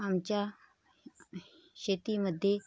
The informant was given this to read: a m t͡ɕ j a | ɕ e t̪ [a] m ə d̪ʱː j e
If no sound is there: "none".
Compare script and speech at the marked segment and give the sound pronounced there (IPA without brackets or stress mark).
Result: i